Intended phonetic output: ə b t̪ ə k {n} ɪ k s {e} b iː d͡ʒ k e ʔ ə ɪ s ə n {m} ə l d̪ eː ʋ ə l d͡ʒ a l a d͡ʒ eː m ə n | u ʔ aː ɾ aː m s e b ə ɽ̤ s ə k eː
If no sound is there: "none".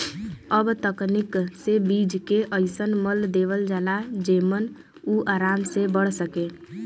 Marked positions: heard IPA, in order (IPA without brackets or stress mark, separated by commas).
n, e, m